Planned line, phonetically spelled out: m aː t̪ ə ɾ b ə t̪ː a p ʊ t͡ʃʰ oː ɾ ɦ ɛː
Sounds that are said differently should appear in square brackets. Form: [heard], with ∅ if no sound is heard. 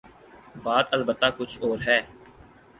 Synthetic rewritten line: [b] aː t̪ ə [l] b ə t̪ː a [k] ʊ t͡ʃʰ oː ɾ ɦ ɛː